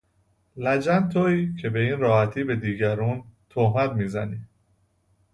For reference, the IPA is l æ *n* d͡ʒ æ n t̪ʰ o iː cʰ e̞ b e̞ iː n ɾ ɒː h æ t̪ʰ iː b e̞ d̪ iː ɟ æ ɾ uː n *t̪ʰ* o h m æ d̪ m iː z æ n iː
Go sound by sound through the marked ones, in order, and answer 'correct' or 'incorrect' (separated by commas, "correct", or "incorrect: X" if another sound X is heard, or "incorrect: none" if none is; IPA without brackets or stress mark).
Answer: incorrect: none, correct